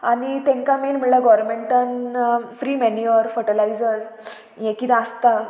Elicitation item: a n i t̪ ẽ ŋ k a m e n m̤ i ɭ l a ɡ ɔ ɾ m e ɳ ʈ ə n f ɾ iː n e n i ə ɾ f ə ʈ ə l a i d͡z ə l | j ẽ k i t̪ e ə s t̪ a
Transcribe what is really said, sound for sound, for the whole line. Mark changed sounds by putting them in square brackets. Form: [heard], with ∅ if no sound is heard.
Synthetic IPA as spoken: a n i t̪ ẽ ŋ k a m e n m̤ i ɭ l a ɡ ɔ ɾ m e ɳ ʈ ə n f ɾ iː [m] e n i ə ɾ f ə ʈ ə l a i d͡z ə [ɾ] | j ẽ k i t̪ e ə s t̪ a